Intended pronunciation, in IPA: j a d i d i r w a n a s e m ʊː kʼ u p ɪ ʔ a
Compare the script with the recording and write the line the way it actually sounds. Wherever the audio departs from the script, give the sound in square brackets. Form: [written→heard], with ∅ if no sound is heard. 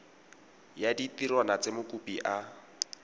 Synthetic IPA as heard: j a d i [d→t] i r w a n a [s→t͡s] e m [ʊː→ʊ] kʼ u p [ɪ→i] ʔ a